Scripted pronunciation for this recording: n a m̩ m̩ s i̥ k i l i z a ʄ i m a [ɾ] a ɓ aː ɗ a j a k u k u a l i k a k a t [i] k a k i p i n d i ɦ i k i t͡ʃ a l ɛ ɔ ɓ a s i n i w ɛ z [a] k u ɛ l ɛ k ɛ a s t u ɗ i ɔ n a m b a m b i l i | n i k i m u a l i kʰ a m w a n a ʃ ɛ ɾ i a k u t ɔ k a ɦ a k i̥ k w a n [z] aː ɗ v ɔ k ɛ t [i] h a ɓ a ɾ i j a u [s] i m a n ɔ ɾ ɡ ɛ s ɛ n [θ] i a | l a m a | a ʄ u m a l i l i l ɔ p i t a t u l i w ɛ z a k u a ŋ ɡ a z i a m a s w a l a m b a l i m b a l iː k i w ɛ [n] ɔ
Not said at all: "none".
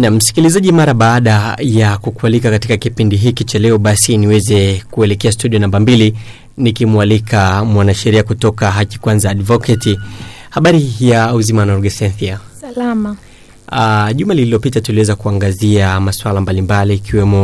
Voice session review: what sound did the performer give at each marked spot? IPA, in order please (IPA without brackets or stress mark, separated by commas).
ɾ, i, ɛ, z, i, z, θ, m